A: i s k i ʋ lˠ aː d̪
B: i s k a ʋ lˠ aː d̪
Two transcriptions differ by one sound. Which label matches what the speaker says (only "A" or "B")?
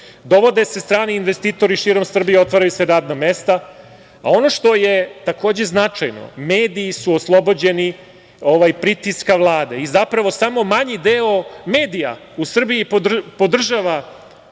B